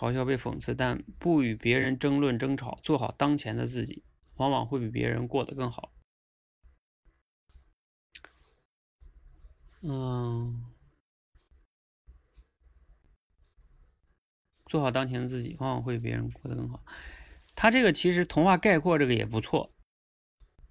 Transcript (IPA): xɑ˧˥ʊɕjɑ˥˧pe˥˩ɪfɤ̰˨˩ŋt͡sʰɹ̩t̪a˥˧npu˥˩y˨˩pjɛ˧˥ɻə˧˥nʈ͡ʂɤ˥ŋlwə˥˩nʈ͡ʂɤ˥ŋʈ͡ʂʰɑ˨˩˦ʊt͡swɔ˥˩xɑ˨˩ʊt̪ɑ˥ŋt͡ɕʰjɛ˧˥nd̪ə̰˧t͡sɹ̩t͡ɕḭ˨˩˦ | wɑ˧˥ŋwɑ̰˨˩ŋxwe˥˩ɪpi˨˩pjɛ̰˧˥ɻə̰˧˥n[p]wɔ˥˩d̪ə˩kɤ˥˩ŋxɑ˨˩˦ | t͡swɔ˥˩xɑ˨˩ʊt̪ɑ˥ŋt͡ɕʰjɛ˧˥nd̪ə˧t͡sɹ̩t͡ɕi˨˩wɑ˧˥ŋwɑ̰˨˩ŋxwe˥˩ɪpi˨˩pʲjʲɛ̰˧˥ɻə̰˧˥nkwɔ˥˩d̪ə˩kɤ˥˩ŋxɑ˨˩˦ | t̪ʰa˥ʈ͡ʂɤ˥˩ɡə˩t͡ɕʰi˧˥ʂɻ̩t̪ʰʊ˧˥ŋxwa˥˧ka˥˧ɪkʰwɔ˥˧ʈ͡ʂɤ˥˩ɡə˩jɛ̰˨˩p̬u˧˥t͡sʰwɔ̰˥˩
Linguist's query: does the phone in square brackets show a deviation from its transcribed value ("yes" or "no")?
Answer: yes